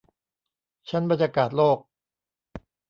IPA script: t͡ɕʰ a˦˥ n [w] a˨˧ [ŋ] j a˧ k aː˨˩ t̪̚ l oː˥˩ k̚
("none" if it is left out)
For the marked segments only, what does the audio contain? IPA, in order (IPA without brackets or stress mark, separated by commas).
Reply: b, n